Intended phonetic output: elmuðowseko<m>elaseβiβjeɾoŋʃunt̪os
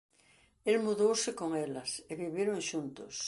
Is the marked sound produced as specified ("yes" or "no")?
no